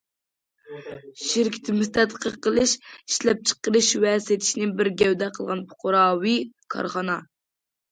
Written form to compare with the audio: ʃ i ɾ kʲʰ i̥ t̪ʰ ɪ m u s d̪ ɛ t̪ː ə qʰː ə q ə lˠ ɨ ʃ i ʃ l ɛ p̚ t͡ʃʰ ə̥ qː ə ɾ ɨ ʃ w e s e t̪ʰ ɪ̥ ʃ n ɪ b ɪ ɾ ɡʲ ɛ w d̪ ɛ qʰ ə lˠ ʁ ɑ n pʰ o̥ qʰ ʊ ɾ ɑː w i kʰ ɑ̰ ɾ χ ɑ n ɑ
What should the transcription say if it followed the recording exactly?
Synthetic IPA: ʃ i ɾ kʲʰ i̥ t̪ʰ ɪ m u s t̪ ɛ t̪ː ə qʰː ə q ə lˠ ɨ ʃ i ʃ l ɛ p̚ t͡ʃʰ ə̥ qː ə ɾ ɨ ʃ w ɛ s e t̪ʰ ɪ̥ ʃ n ɪ b ɪ ɾ ɡʲ ɛ w d̪ ɛ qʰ ə lˠ ʁ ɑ n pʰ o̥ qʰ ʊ ɾ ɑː w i kʰ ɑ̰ ɾ χ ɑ n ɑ